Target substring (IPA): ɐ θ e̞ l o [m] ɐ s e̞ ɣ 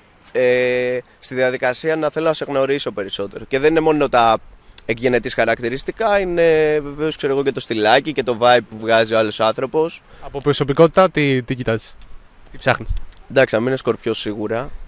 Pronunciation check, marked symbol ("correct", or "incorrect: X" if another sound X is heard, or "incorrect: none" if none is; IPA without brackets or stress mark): incorrect: n